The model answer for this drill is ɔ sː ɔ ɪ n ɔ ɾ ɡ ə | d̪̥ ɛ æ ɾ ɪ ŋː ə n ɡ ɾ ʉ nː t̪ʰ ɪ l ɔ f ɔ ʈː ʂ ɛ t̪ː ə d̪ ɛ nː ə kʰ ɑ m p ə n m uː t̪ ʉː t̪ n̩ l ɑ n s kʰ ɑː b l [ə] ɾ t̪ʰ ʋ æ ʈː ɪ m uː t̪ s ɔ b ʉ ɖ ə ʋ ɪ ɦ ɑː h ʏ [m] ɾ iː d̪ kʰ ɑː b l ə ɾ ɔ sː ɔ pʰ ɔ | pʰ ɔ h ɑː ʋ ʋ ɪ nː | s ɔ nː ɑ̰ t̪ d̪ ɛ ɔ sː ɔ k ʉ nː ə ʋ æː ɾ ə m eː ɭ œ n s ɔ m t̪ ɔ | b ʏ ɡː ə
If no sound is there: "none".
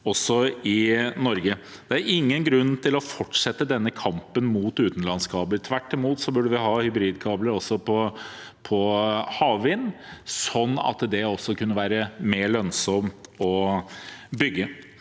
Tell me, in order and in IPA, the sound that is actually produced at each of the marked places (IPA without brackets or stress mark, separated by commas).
ə, b